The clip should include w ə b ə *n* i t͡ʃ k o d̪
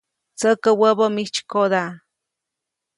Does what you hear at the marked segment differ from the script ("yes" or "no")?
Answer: yes